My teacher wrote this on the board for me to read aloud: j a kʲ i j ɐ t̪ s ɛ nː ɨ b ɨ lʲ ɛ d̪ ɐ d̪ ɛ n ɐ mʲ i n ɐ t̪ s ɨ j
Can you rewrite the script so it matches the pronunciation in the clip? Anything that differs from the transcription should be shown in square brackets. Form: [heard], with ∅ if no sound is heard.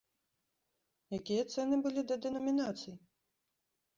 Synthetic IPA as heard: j a kʲ i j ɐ t̪ s ɛ [n] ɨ b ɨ lʲ [i] d̪ ɐ d̪ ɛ n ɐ mʲ i n [a] t̪ s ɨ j